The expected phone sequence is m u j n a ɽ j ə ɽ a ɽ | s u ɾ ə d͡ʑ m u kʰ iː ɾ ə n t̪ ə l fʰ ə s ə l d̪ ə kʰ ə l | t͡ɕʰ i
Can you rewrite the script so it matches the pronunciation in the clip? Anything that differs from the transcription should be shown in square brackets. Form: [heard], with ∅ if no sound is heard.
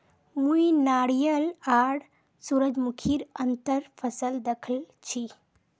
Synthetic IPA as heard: m u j n a ɽ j ə [l] a ɽ | s u ɾ ə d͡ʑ m u kʰ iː ɾ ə n t̪ ə [ɾ] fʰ ə s ə l d̪ ə kʰ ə l | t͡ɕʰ i